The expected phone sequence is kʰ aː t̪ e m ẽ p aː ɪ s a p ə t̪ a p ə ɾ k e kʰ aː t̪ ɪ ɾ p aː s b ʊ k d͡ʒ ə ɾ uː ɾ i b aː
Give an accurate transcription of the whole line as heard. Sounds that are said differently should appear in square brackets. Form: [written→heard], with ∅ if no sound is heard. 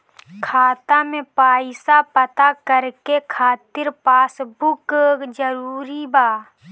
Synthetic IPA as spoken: kʰ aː t̪ [e→a] m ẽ p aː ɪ s a p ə t̪ a [p→k] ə ɾ k e kʰ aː t̪ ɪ ɾ p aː s b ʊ k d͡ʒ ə ɾ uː ɾ i b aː